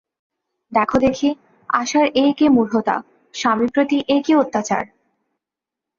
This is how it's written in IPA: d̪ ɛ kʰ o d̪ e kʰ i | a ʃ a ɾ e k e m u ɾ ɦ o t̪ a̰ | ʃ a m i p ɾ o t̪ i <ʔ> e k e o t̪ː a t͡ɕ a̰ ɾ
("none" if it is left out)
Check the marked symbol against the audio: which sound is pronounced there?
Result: ʔ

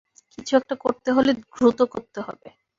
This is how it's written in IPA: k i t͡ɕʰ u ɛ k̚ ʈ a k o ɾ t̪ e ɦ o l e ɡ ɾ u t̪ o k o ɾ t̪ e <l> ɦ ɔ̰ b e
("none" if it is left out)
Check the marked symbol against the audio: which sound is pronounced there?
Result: none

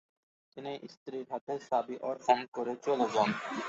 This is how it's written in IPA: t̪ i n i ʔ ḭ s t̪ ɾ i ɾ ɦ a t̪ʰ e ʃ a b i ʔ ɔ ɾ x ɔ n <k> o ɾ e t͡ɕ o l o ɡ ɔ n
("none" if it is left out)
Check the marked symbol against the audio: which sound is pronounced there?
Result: k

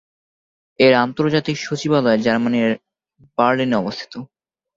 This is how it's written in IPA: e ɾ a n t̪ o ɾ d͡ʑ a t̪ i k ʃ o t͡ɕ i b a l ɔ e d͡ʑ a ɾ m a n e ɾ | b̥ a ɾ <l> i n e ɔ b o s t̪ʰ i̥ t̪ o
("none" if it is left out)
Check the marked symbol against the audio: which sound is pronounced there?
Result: l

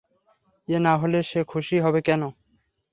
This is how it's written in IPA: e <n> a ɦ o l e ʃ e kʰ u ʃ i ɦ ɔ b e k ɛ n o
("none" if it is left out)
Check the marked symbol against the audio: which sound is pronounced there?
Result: n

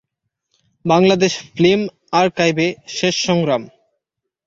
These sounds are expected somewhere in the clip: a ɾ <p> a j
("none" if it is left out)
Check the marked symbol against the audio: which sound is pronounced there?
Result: k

